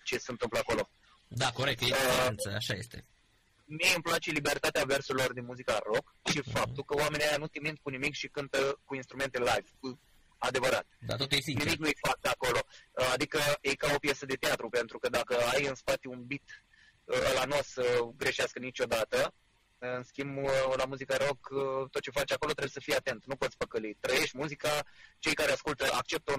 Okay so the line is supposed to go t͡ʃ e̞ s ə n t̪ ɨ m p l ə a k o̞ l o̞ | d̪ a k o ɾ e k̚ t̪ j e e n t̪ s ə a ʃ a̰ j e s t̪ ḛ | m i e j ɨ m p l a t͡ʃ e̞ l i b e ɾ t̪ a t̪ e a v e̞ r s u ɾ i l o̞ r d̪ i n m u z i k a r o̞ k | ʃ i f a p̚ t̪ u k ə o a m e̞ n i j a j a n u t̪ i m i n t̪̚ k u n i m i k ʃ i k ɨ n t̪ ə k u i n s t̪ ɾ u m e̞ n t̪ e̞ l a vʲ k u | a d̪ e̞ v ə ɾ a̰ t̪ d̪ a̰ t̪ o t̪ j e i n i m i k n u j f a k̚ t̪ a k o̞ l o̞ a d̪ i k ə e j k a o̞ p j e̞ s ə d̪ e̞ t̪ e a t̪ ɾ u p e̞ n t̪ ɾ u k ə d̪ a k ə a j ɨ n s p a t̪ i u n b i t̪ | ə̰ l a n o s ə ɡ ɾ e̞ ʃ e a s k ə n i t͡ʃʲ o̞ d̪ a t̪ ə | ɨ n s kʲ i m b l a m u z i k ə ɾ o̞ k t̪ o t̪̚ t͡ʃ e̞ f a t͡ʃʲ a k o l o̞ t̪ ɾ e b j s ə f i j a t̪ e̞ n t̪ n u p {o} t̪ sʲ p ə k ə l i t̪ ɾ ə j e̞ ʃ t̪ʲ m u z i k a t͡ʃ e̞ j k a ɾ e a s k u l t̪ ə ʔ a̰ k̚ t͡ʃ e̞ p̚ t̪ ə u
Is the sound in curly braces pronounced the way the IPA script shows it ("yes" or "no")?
yes